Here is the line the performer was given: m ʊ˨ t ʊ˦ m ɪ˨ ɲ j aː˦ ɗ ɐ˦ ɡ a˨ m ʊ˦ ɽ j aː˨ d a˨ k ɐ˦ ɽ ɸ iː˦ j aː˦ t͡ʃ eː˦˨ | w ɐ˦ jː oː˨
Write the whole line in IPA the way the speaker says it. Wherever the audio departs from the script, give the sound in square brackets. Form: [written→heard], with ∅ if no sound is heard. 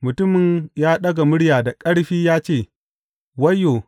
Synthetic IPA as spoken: m ʊ˨ t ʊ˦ m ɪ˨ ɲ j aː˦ ɗ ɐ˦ ɡ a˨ m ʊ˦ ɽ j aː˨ d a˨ [k→kʼ] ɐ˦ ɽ ɸ iː˦ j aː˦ t͡ʃ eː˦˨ | w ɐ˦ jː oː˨